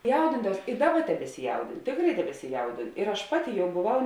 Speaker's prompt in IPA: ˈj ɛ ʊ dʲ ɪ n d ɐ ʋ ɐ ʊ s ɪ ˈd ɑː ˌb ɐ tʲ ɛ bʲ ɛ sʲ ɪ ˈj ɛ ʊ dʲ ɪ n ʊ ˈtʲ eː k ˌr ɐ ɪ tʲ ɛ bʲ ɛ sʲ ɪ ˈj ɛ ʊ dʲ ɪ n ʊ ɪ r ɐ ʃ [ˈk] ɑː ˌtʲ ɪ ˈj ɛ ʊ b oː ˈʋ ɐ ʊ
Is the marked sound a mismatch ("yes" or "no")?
yes